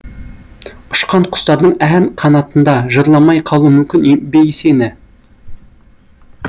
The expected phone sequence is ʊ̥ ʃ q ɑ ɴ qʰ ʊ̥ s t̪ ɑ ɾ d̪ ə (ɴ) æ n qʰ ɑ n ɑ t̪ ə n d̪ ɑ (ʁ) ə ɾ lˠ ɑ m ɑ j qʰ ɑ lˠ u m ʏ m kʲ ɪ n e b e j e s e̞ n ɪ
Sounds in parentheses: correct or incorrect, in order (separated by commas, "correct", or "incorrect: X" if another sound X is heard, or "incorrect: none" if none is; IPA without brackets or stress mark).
correct, incorrect: ʒ